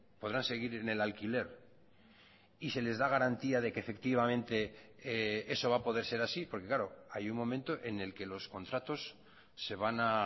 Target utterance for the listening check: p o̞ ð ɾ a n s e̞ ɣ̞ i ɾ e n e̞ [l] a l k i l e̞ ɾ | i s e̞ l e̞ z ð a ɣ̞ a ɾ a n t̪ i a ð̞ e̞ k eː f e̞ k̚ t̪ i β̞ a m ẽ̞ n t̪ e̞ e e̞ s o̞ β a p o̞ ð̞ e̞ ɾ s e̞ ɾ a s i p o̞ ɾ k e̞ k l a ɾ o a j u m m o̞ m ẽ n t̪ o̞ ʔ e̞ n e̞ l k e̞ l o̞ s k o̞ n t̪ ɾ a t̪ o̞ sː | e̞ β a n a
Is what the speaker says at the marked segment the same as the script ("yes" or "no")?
yes